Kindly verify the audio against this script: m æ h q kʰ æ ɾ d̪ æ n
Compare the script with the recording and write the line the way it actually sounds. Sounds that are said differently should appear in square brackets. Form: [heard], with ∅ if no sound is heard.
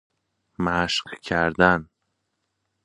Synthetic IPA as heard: m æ [ʃ] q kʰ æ ɾ d̪ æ n